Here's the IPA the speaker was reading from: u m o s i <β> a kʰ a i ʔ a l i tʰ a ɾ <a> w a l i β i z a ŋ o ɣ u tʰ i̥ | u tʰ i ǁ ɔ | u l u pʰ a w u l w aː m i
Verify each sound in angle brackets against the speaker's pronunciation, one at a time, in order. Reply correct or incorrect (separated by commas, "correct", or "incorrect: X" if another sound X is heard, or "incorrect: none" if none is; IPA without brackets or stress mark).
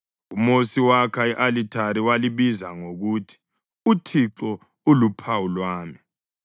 incorrect: w, incorrect: i